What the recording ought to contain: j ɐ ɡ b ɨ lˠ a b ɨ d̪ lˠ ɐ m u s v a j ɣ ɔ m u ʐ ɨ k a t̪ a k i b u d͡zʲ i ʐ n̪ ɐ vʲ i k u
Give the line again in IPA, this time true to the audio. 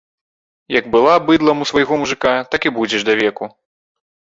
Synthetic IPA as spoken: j ɐ ɡ b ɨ lˠ a b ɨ d̪ lˠ ɐ m u s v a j ɣ ɔ m u ʐ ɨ k a t̪ a k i b u d͡zʲ ɛ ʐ d̪ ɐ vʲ ɛ k u